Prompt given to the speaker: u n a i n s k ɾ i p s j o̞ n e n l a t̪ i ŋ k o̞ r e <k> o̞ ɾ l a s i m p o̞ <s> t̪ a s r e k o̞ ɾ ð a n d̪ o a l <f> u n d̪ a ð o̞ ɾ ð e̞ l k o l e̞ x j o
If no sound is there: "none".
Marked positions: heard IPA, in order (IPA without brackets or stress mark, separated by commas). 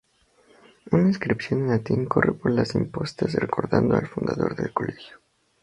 p, s, f